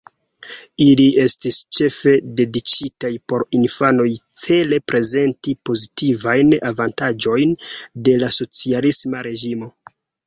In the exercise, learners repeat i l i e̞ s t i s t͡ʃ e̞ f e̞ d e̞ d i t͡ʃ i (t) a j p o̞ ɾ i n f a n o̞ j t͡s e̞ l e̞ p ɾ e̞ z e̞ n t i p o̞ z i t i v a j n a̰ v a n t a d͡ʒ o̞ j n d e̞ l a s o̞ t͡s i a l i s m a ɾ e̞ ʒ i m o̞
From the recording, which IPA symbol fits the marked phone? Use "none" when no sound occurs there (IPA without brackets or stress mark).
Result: t